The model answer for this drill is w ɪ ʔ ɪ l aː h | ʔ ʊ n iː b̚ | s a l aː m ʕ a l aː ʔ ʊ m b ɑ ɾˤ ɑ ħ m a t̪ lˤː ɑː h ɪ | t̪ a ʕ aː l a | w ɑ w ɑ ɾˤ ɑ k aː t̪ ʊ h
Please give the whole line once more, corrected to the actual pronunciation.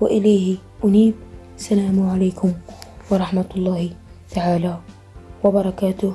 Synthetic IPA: w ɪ ʔ ɪ l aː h | ʔ ʊ n iː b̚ | s a l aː m ʕ a l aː k ʊ m w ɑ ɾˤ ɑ ħ m a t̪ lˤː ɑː h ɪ | t̪ a ʕ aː l a | w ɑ b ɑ ɾˤ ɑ k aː t̪ ʊ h